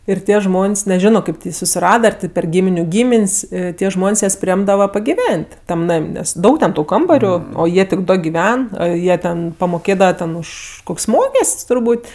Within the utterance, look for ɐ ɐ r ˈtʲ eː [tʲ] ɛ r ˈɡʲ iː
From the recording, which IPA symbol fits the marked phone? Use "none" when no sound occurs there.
pʲ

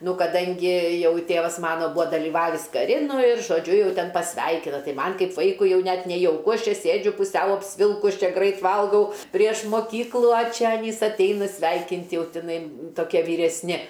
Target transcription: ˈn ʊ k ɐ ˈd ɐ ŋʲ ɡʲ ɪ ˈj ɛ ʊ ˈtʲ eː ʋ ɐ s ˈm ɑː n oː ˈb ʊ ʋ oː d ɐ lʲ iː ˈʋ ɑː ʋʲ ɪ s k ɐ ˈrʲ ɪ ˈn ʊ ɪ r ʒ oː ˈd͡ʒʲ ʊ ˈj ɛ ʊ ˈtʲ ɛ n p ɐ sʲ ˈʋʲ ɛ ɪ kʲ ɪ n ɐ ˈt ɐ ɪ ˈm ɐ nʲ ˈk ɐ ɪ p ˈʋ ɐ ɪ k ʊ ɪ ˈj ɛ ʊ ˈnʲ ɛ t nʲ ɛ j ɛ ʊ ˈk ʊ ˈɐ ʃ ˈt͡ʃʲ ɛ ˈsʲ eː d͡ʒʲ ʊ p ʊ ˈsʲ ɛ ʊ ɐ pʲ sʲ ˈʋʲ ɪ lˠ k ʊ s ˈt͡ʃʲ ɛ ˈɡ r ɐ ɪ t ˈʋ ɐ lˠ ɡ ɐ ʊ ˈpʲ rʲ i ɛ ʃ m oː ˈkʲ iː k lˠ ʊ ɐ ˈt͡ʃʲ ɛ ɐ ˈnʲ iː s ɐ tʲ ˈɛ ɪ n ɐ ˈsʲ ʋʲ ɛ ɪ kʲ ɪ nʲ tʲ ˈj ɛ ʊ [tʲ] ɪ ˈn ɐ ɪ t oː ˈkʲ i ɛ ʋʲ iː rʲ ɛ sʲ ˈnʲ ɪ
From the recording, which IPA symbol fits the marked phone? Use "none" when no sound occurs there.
tʲ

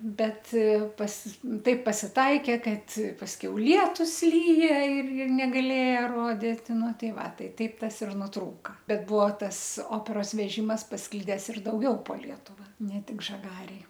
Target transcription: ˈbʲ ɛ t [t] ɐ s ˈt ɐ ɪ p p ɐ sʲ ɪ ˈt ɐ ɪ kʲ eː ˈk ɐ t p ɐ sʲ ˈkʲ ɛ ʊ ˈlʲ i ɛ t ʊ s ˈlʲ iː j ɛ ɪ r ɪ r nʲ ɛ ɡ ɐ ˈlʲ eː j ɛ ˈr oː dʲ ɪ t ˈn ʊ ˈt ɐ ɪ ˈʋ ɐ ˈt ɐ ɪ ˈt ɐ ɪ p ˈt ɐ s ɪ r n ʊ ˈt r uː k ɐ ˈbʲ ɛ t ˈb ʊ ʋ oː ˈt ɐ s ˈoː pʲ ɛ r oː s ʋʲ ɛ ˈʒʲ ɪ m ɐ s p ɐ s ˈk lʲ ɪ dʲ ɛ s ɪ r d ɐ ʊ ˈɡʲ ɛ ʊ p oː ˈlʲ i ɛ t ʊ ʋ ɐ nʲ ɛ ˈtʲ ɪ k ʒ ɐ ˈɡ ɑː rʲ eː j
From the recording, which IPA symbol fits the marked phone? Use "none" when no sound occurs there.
p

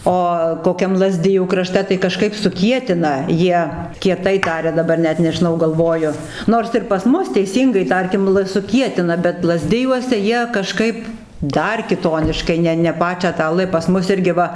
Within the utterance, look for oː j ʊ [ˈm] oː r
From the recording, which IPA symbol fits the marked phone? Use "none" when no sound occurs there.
n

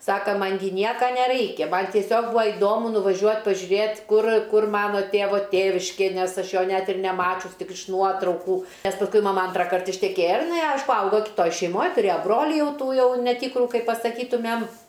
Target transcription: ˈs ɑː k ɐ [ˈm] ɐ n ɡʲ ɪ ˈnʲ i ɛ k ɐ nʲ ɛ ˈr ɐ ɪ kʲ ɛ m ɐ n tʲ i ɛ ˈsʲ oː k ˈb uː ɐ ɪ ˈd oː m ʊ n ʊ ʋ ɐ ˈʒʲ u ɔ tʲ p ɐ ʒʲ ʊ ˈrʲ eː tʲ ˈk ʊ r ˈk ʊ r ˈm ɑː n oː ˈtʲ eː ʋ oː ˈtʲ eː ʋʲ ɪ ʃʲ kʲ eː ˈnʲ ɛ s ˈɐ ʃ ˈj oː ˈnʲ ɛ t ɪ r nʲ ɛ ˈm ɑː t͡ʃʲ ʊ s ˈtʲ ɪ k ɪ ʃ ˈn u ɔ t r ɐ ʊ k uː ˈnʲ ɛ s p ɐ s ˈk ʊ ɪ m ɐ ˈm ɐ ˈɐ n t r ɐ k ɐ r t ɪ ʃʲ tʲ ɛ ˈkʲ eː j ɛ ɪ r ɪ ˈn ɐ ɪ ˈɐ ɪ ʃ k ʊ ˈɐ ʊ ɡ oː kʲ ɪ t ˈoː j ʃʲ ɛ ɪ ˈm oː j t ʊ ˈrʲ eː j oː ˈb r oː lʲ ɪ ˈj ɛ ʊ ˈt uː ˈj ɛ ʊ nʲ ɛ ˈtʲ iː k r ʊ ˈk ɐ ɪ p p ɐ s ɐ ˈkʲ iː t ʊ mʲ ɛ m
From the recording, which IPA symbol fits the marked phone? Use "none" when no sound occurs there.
m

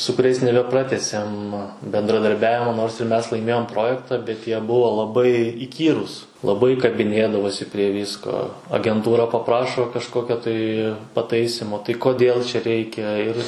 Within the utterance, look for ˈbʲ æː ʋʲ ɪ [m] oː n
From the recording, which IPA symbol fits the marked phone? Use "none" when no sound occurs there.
m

